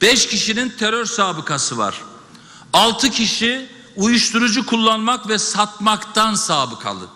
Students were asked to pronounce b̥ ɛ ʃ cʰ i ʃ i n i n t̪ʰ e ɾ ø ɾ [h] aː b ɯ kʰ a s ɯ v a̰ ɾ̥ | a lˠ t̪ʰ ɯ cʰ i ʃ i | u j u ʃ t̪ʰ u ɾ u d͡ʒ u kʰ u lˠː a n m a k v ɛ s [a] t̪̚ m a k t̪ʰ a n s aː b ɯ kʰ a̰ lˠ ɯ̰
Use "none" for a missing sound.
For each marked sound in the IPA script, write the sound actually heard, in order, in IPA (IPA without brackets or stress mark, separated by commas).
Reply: s, a